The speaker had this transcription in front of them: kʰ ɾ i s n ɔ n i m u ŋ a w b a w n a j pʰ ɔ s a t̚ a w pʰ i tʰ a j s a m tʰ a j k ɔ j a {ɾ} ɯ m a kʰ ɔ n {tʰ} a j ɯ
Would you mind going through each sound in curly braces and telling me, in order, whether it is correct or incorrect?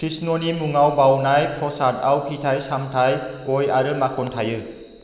correct, correct

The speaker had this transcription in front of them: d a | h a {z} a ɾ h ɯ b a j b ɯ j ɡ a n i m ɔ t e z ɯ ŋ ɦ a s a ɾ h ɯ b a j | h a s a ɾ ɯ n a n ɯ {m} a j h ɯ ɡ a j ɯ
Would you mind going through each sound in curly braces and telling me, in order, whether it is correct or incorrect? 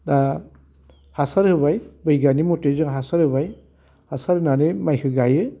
incorrect: s, correct

